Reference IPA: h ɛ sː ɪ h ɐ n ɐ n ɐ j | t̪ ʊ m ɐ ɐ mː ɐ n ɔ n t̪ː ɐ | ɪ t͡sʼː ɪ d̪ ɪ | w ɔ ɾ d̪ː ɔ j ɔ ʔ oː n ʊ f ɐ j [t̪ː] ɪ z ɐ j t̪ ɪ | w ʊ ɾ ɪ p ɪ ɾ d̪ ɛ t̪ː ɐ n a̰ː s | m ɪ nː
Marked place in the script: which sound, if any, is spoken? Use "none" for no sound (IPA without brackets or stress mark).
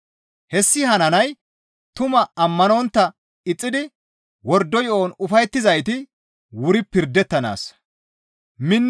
t̪ː